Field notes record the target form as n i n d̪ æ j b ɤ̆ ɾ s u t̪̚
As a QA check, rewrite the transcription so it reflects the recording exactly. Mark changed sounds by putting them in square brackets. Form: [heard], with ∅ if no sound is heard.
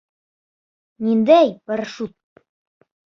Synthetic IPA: n i n d̪ æ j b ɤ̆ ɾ [ʃ] u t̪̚